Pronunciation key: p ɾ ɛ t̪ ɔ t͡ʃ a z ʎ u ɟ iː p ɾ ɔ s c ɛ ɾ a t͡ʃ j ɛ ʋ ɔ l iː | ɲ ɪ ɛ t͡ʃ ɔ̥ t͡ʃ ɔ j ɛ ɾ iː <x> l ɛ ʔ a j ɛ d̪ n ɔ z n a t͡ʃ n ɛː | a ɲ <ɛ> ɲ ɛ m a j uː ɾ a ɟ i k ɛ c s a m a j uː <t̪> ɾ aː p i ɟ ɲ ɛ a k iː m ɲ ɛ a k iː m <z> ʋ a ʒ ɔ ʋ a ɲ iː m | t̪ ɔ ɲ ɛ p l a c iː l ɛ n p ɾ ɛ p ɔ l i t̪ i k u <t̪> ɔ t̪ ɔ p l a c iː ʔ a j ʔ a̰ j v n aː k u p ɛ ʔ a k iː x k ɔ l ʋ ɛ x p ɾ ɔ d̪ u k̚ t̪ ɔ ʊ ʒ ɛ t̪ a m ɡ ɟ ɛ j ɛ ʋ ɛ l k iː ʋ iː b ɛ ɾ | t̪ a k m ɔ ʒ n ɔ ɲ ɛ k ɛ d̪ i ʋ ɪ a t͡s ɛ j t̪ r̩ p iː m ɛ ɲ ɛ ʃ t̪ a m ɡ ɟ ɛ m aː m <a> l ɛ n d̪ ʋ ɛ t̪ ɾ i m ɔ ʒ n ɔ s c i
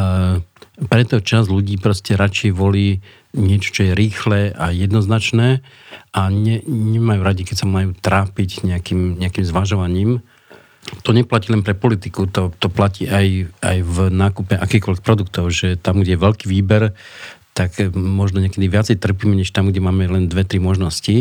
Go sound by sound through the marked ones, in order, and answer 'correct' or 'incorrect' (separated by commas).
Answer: correct, correct, correct, correct, correct, incorrect